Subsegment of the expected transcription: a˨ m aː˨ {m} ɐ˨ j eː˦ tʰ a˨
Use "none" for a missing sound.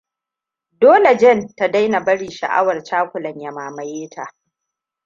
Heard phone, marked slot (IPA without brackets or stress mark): m